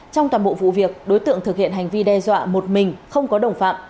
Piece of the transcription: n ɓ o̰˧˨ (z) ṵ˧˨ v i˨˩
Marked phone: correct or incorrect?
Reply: incorrect: v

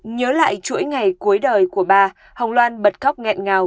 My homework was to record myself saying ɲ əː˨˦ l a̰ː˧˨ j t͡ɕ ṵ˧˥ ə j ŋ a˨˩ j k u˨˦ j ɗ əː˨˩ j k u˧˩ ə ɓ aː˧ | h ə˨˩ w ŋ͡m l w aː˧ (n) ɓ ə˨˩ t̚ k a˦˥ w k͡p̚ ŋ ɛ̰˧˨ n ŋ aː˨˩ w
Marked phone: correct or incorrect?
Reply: correct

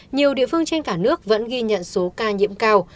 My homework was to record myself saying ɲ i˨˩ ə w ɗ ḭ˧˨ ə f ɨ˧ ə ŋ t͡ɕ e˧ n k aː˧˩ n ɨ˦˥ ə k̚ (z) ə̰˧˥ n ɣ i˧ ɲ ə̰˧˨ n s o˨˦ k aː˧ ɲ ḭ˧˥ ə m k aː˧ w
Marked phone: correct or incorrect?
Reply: incorrect: v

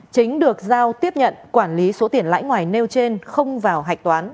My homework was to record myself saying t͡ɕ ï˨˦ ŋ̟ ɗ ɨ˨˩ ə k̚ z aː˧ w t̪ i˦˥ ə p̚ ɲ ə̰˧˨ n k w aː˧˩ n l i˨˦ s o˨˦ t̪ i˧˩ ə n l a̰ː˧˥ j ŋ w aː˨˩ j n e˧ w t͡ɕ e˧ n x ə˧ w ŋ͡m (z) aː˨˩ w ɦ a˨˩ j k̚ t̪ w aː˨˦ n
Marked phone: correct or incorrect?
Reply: incorrect: v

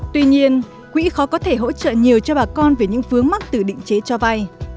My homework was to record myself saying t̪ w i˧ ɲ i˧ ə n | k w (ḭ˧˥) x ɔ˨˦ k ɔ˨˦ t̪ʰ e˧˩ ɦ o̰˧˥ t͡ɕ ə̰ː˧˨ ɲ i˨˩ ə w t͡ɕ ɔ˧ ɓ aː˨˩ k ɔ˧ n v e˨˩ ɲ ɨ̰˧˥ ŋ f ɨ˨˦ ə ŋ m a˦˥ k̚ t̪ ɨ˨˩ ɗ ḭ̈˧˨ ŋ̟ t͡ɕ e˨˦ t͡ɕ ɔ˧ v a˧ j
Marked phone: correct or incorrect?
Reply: correct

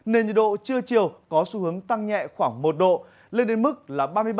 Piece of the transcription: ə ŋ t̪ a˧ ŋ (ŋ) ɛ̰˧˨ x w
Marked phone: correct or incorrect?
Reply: incorrect: ɲ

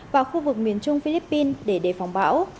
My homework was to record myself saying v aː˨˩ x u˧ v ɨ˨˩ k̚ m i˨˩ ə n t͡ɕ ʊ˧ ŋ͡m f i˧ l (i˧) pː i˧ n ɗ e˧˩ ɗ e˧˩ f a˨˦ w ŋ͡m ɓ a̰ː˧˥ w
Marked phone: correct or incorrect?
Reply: incorrect: i˦˥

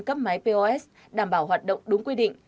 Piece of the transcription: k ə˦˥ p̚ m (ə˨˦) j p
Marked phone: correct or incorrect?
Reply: incorrect: a˨˦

